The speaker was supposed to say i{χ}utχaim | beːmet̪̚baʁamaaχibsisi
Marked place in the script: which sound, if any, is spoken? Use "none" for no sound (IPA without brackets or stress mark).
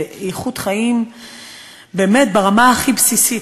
χ